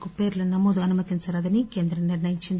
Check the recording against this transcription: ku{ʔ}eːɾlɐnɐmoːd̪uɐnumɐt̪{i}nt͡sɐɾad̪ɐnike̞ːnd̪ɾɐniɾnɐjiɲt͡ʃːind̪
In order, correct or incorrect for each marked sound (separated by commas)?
incorrect, correct